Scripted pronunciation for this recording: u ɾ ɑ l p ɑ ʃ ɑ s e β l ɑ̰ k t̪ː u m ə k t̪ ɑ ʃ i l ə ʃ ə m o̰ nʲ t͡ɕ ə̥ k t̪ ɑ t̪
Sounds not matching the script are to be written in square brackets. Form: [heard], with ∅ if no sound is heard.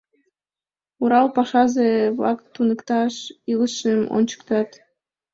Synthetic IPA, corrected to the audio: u ɾ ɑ l p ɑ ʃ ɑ [z] e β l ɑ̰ k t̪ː u [n] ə k t̪ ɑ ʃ i l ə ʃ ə m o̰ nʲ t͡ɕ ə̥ k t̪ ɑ t̪